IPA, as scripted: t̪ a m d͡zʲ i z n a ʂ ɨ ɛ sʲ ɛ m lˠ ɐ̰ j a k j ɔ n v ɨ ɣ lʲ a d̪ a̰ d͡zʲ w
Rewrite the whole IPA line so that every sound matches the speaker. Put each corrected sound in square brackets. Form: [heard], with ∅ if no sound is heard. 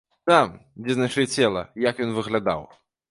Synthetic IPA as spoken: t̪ a m d͡zʲ [ɛ] z n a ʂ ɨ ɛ [t͡sʲ] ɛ [∅] lˠ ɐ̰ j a k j ɔ n v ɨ ɣ lʲ a d̪ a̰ [∅] w